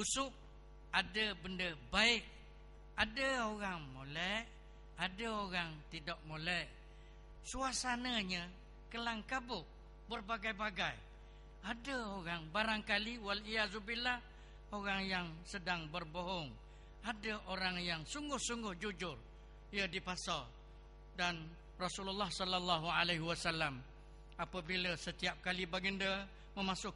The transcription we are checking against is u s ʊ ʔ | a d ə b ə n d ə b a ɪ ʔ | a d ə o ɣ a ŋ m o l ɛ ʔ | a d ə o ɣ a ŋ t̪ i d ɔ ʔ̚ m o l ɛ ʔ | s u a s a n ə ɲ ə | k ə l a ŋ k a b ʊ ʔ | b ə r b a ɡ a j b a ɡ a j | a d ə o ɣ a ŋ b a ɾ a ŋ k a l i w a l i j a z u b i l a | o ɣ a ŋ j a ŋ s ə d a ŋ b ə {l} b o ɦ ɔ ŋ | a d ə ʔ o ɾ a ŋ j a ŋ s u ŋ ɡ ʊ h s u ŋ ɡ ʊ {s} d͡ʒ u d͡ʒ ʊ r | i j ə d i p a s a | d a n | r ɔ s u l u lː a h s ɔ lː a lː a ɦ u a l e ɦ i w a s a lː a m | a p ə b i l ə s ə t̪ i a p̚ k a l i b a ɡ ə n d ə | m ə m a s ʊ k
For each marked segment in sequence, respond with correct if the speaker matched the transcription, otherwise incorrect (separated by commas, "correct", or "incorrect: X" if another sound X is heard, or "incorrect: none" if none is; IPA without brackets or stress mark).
incorrect: r, incorrect: h